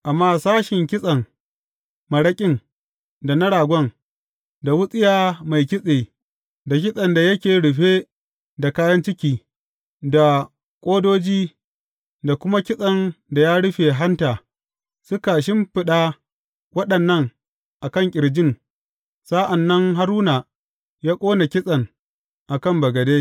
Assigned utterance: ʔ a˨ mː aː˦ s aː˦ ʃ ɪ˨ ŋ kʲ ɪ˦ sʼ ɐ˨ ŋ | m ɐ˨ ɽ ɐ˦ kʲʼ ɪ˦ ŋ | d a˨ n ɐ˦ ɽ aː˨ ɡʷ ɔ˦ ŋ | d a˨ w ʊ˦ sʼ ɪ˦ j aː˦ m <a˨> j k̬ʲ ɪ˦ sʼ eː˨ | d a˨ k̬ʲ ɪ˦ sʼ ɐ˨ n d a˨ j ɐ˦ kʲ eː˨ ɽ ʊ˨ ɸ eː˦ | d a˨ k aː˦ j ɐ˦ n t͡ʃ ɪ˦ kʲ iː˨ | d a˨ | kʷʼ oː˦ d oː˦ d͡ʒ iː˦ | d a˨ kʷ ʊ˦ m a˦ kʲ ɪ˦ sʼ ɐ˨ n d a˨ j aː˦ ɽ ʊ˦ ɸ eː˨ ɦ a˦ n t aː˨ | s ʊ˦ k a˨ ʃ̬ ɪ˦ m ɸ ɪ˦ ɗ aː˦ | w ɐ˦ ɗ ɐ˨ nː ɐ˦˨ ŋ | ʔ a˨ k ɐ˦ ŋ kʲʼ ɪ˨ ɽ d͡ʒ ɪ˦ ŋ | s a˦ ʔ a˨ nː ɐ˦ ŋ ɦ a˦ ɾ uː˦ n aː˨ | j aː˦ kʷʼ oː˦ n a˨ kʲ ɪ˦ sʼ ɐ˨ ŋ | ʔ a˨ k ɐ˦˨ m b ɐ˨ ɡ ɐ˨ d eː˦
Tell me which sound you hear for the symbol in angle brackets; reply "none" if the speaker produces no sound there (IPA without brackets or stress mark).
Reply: a˨